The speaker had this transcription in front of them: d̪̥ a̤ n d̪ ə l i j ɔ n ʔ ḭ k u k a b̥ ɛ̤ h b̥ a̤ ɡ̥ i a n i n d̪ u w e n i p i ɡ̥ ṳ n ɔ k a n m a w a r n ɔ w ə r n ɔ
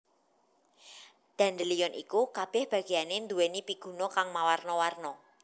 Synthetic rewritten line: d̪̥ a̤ n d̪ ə l i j ɔ n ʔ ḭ k u k a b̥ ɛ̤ h b̥ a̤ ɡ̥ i a n e n d̪ u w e n i p i ɡ̥ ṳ n ɔ k a ŋ m a w a r n ɔ w a r n ɔ

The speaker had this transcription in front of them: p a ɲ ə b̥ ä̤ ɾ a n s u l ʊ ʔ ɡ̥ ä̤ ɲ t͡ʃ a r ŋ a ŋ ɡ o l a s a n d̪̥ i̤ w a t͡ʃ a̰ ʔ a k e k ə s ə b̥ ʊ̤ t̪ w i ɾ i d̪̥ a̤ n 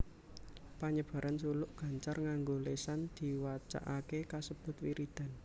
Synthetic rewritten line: p a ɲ ə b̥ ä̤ ɾ a n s u l ʊ ʔ ɡ̥ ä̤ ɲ t͡ʃ a r ŋ a ŋ ɡ o l e s a n d̪̥ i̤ w a t͡ʃ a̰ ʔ a k e k a s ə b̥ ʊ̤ t̪ w i ɾ i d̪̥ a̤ n

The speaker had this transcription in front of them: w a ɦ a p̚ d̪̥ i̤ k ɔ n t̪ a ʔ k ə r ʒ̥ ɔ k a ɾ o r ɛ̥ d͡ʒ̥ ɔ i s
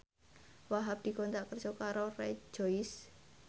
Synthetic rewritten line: w a ɦ a p̚ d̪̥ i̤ k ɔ n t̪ a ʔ k ə r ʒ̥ ɔ k a ɾ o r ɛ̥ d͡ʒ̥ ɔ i s

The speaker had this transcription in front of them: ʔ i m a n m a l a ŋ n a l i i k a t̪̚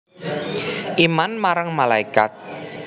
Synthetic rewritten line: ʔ i m a n m a ɾ a ŋ m a l a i k a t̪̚

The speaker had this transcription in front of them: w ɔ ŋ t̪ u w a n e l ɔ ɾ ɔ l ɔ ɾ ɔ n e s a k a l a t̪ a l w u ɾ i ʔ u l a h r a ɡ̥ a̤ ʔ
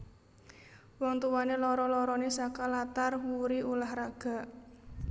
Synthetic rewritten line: w ɔ ŋ t̪ u w a n e l ɔ ɾ ɔ l ɔ ɾ ɔ n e s a k a l a t̪ a r w u ɾ i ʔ u l a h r a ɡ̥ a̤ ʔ

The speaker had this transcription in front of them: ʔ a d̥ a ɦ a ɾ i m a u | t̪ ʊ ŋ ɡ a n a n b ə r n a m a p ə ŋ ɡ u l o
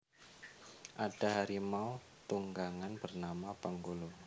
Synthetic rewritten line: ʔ a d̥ a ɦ a ɾ i m a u | t̪ u ŋ ɡ a ŋ a n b ə r n a m a p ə ŋ ɡ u l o

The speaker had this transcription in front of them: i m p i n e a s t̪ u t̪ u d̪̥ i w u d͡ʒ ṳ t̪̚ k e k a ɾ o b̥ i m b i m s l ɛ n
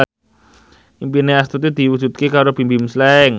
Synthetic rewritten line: i m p i n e a s t̪ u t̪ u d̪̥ i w u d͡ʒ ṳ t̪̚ k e k a ɾ o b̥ i m b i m s l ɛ ŋ

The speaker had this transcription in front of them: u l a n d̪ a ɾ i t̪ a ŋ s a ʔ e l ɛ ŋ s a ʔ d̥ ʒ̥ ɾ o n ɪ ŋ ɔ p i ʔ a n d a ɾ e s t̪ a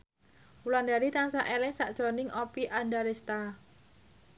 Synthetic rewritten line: u l a n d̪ a ɾ i t̪ a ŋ s a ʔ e l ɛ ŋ s a ʔ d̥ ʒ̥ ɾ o n ɪ ŋ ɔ p i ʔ a n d a ɾ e s t̪ a

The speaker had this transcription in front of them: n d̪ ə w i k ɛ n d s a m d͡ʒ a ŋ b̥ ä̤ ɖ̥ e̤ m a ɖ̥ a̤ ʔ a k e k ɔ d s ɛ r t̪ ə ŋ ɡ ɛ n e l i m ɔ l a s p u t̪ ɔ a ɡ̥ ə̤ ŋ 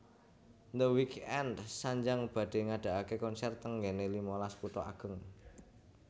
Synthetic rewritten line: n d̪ ə w i k ɛ n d s a ɲ d͡ʒ a ŋ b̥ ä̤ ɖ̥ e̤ ŋ a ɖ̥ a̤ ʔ a k e k ɔ n s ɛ r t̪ ə ŋ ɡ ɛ n e l i m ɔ l a s p u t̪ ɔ a ɡ̥ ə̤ ŋ

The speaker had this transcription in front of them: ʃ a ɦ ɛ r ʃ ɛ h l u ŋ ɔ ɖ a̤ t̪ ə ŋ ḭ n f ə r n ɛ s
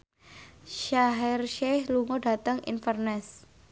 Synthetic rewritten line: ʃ a ɦ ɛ r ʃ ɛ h l u ŋ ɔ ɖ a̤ t̪ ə ŋ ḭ n f ə r n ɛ s

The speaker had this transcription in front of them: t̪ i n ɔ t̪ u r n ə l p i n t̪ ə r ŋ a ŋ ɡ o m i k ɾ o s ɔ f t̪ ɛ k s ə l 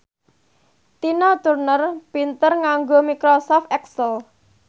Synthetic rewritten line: t̪ i n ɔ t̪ u r n ə r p i n t̪ ə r ŋ a ŋ ɡ o m i k ɾ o s ɔ f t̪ ɛ k s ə l

